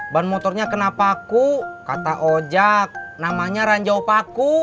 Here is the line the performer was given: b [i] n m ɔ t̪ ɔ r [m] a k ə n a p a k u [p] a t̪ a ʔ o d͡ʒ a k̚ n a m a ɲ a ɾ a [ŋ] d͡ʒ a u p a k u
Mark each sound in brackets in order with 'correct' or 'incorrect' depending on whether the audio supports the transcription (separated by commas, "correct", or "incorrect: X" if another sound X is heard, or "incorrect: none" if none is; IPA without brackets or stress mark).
incorrect: a, incorrect: ɲ, incorrect: k, incorrect: ɲ